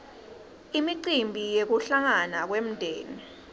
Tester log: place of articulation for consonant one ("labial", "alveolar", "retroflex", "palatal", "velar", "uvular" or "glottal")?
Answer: labial